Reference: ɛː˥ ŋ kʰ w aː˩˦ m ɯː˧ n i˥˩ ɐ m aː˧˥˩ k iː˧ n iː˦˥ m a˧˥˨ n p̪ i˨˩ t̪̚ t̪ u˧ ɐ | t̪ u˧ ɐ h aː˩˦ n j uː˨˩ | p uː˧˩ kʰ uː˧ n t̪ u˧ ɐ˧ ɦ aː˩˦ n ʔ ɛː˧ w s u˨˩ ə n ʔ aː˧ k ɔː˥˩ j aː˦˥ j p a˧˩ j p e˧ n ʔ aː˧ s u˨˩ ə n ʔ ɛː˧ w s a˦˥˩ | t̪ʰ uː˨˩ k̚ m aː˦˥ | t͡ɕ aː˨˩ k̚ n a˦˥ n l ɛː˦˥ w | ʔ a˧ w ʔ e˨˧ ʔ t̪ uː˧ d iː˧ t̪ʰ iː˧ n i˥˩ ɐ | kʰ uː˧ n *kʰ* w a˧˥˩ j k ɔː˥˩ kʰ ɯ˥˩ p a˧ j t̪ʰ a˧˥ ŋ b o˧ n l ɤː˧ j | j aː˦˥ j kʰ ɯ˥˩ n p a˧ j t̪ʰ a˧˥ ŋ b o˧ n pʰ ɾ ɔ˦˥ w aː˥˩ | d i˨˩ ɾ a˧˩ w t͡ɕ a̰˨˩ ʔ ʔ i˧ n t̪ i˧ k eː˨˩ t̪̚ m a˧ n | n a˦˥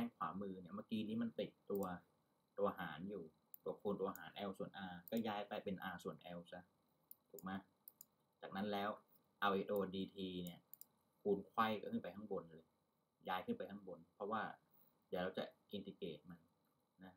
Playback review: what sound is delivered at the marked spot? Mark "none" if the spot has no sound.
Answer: kʰ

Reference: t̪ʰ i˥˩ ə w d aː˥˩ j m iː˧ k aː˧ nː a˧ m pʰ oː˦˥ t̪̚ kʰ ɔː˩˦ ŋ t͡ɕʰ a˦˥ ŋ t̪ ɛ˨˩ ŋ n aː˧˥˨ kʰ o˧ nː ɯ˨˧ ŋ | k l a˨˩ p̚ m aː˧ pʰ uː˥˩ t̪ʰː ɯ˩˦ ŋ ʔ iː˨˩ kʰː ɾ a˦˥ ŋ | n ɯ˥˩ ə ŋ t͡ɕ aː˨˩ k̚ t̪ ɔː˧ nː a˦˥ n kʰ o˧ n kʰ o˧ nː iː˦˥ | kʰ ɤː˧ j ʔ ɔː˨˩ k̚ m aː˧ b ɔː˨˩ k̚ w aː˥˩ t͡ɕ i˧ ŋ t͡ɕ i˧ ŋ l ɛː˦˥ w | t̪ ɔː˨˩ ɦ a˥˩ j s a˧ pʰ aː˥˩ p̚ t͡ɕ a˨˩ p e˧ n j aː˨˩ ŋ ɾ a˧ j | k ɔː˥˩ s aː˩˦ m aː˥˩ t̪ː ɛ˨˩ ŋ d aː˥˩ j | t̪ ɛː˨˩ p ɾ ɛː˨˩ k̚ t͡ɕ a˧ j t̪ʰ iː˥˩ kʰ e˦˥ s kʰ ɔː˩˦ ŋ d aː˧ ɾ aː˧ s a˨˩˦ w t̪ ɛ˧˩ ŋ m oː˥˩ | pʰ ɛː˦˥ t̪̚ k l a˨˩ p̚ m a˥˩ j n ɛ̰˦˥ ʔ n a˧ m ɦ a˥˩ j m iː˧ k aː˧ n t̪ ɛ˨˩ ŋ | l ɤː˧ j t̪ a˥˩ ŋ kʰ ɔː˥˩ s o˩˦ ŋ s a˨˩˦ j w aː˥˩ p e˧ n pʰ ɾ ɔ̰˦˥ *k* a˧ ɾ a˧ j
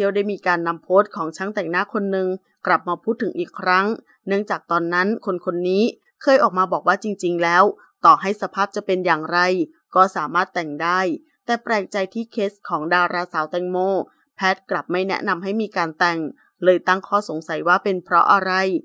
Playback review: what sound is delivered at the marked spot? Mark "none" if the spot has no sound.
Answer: ʔ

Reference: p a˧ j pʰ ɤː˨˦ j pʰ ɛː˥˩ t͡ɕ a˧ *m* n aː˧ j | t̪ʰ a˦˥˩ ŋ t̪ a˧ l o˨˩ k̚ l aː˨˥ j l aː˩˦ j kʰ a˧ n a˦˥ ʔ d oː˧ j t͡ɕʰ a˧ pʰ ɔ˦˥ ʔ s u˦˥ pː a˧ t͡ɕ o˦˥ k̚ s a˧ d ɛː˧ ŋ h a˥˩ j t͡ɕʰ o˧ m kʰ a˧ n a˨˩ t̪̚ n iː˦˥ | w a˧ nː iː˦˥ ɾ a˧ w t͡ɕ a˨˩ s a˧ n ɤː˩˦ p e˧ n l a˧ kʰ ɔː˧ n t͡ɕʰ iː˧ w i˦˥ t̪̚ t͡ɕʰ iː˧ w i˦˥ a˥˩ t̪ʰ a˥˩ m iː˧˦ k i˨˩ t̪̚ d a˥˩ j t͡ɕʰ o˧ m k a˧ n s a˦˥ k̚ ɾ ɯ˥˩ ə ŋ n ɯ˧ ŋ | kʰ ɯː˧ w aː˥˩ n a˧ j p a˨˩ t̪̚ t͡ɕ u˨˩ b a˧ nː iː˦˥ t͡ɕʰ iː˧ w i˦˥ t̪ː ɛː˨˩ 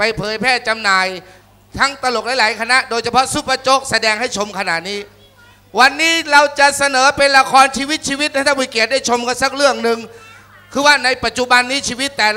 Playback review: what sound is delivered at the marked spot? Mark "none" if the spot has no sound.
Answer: m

